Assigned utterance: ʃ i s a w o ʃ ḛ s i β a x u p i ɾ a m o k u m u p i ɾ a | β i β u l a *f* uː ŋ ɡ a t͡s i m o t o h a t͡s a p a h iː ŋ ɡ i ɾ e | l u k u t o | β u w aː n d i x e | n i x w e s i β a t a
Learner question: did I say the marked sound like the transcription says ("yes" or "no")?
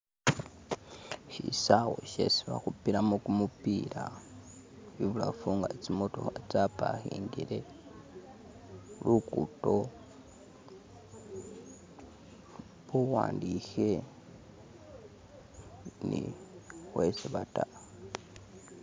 yes